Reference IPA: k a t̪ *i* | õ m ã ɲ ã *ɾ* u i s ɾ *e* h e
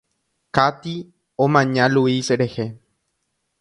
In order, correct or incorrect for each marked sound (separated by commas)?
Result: correct, incorrect, correct